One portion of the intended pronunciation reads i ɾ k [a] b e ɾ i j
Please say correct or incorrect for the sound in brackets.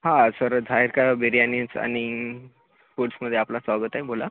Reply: correct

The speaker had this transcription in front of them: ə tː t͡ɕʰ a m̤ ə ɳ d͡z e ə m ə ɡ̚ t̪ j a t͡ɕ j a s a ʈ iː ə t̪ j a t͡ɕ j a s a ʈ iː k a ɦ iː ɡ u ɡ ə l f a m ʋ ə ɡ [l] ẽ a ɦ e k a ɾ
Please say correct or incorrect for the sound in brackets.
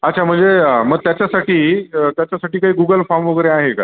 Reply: incorrect: ɾ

